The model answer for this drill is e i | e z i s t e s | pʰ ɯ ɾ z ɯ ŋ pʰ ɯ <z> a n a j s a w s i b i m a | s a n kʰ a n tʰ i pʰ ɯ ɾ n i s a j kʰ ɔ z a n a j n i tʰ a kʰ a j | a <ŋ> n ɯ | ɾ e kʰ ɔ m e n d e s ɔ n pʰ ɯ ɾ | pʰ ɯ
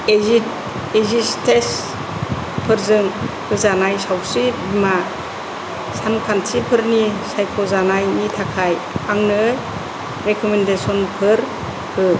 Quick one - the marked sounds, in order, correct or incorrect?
correct, correct

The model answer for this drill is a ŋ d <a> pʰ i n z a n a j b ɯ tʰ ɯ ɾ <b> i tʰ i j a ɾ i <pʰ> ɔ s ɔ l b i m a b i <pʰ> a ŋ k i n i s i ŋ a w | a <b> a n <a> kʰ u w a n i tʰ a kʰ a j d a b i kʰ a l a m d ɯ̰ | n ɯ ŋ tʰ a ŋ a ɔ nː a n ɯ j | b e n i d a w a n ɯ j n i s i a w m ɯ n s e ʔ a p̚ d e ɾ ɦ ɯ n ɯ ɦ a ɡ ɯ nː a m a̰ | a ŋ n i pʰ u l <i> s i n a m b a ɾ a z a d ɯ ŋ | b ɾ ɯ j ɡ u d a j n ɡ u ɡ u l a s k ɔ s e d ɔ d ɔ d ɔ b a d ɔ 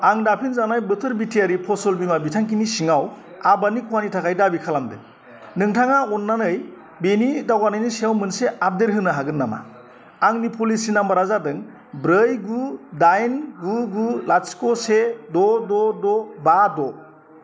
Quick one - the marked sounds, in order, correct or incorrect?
correct, correct, correct, incorrect: tʰ, correct, incorrect: i, correct

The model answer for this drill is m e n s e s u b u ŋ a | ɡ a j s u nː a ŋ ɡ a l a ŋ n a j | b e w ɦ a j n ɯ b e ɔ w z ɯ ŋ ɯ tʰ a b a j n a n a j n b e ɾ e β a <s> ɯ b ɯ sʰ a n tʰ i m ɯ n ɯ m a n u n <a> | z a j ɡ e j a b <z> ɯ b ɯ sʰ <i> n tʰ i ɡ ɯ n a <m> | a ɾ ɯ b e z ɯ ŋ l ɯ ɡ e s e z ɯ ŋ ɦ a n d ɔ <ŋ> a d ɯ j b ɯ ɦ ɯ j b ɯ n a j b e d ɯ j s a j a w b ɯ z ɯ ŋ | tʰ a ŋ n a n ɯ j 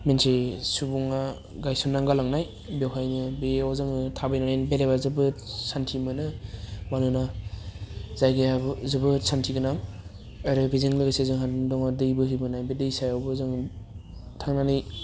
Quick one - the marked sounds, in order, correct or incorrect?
incorrect: z, correct, correct, incorrect: a, incorrect: ŋ, correct

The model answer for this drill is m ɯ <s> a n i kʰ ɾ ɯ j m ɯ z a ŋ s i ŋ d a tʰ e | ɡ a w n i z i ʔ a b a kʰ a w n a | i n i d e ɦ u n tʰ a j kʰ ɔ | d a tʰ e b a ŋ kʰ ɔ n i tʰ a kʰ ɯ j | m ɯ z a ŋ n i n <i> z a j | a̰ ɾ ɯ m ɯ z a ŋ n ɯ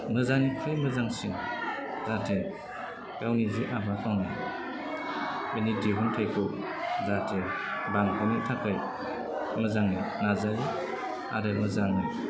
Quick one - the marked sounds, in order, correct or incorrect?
incorrect: z, incorrect: a

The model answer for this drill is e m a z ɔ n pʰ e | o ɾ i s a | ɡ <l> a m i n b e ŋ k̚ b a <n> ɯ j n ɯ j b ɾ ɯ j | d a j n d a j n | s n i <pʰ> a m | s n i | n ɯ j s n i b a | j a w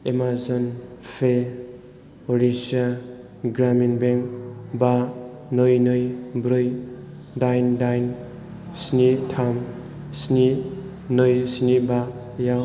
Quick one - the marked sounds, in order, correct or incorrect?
incorrect: ɾ, correct, incorrect: tʰ

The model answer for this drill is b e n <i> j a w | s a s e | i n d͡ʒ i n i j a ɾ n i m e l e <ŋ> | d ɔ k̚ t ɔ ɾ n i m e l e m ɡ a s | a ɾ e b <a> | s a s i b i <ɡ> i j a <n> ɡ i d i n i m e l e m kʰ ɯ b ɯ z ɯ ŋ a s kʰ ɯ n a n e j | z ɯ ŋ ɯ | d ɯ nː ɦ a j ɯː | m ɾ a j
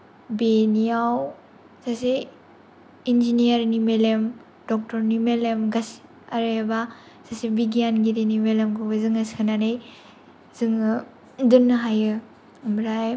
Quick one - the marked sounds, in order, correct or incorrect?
correct, incorrect: m, correct, correct, correct

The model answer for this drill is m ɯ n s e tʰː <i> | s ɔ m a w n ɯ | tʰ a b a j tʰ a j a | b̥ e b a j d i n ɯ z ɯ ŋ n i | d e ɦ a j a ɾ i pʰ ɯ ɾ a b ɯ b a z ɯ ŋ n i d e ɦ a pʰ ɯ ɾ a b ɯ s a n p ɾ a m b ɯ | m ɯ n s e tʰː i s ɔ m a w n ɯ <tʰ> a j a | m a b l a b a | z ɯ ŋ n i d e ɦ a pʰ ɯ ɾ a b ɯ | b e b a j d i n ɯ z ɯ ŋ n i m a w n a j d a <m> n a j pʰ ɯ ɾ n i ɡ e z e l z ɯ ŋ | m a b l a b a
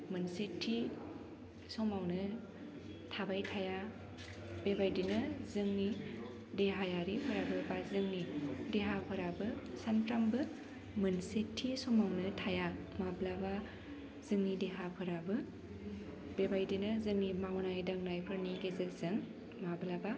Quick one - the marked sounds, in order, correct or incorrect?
correct, correct, incorrect: ŋ

